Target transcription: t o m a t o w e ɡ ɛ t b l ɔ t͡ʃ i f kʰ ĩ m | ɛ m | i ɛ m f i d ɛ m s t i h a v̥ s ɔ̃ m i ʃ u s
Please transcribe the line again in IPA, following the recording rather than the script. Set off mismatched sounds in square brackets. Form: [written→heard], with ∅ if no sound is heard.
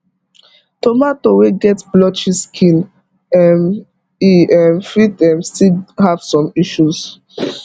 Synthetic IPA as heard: t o m a t o w e ɡ ɛ t b l ɔ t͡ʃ i [f→s] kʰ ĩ [m→n] | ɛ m | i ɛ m f i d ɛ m s t i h a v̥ s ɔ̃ m i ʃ u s